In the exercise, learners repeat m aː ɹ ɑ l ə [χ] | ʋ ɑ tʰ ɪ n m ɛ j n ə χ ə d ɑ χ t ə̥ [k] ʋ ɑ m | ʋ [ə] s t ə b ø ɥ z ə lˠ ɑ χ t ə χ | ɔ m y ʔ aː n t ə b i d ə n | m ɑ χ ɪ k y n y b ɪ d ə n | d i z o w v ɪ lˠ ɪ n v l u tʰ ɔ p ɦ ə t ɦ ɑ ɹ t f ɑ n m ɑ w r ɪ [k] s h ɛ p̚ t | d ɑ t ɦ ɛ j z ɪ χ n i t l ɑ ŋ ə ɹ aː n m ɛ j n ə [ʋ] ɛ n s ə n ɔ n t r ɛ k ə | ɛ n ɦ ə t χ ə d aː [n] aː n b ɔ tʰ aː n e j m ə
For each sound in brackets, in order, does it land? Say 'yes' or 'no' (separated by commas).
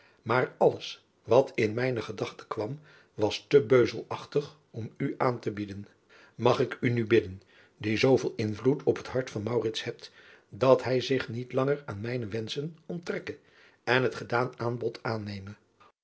no, yes, no, no, yes, yes